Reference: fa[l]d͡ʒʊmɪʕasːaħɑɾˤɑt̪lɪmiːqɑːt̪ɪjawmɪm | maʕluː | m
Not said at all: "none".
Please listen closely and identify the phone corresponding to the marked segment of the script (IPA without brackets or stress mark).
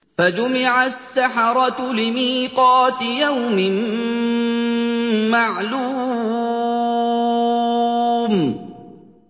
none